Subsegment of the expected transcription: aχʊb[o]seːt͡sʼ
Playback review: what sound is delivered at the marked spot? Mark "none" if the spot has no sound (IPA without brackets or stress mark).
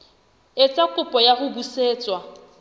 u